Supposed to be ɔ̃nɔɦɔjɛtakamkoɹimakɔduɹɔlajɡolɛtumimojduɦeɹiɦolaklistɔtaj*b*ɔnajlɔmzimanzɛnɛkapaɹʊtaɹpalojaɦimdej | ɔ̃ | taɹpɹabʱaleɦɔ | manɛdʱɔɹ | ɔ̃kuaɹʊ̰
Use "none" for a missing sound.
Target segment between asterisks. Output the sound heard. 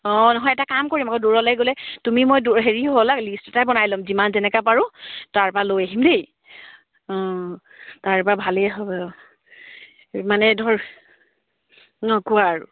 b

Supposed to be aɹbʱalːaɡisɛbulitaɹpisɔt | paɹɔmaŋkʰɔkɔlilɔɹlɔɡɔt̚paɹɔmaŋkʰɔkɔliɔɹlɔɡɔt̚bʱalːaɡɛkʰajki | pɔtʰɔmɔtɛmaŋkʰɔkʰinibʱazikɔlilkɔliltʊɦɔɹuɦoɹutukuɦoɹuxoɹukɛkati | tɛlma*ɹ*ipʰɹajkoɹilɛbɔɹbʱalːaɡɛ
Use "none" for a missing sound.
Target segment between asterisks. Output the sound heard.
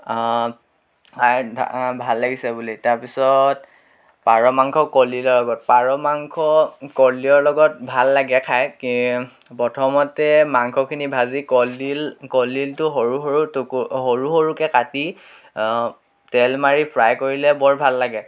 ɹ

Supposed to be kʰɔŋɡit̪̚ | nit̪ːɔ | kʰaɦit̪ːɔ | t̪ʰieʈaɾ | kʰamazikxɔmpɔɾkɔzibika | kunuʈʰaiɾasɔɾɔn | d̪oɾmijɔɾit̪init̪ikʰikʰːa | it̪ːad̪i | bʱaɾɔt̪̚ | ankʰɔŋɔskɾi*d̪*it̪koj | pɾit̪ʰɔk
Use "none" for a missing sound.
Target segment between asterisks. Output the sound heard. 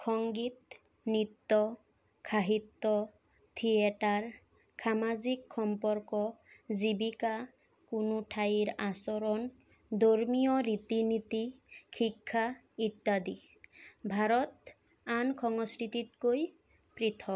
t̪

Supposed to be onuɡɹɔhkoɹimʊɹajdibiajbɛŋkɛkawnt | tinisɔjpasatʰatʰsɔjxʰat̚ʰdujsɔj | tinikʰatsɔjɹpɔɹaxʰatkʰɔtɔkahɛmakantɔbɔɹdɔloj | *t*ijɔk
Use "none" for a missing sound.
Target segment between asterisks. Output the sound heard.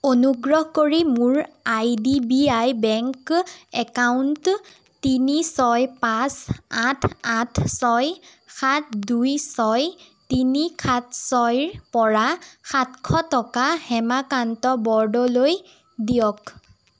d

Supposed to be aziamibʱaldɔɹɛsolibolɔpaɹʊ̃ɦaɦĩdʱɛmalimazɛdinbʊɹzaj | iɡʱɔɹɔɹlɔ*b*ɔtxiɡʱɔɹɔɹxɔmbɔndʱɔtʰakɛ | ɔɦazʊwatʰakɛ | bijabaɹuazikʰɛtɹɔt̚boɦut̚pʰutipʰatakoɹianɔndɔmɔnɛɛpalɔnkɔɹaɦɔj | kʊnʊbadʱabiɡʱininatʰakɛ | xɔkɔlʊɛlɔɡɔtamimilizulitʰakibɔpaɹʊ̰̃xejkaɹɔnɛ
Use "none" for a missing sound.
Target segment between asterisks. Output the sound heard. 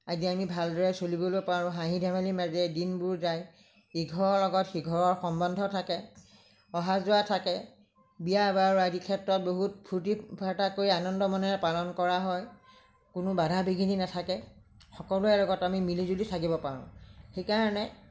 ɡ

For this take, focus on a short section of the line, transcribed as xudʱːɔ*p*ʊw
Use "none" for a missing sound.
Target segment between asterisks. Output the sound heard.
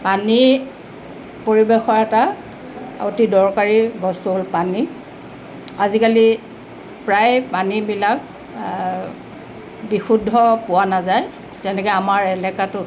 p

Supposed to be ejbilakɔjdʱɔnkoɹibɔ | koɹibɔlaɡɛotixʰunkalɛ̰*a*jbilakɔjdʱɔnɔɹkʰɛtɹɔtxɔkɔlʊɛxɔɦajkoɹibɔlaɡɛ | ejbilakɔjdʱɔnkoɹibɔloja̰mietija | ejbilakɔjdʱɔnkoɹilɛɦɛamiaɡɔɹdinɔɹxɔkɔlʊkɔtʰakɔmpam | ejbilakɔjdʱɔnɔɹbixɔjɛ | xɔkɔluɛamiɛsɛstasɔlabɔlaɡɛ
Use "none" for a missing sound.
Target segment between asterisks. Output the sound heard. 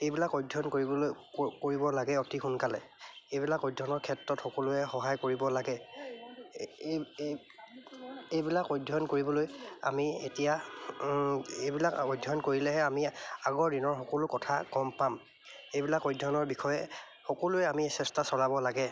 e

